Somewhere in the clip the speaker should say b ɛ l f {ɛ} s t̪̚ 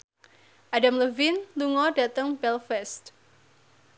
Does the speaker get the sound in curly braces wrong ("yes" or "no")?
no